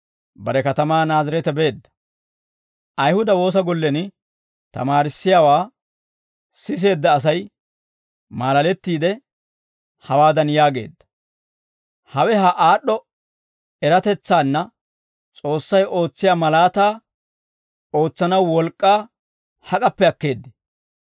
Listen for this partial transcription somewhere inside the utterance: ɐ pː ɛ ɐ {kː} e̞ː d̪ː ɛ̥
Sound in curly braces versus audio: correct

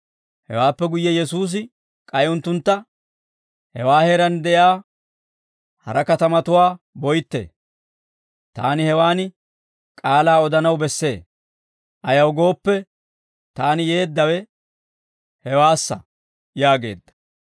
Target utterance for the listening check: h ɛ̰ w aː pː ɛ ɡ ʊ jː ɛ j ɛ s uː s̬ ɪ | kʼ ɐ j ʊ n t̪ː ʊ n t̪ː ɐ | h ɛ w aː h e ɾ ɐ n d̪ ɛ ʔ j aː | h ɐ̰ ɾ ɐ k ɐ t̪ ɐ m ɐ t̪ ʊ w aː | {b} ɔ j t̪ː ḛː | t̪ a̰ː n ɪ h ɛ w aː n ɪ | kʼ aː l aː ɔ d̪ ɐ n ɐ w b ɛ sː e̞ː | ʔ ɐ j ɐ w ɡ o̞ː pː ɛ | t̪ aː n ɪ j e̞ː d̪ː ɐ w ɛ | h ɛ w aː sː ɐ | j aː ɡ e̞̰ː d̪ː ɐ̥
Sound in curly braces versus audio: correct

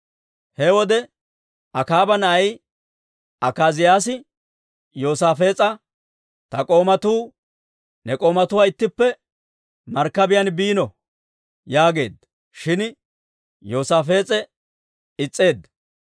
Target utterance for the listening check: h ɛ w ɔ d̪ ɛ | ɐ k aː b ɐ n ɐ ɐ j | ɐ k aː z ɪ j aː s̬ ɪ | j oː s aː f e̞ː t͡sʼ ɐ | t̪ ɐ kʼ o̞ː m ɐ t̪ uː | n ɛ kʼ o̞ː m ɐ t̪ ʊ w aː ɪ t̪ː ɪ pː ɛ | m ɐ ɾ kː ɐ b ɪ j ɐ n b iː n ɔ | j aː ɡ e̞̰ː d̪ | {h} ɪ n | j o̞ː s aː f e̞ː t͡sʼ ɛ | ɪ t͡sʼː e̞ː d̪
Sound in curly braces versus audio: incorrect: ʃ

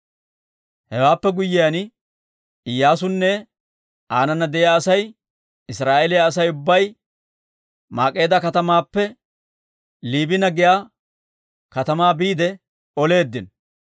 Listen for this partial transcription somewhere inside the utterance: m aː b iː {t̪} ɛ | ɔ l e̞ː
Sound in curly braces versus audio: incorrect: d̪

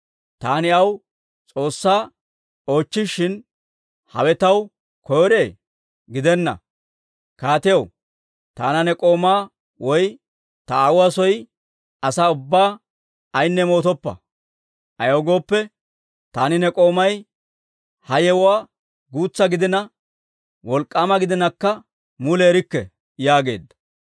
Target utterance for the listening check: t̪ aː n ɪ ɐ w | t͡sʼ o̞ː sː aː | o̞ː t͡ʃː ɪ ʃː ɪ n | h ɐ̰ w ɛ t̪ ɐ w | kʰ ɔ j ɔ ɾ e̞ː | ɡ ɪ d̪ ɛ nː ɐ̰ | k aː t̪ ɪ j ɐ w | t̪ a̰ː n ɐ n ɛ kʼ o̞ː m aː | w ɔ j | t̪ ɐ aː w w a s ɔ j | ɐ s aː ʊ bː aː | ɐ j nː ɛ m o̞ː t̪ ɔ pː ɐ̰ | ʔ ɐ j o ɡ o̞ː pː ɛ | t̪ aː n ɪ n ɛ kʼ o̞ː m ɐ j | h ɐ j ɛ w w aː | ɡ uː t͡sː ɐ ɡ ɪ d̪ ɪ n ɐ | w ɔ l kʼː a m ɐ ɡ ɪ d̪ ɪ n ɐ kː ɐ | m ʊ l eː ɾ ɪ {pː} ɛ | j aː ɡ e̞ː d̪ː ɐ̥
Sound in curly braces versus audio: incorrect: kː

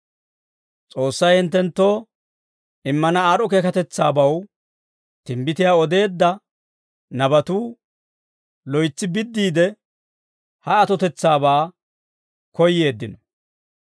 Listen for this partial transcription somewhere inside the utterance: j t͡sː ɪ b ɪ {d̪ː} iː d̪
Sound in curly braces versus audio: correct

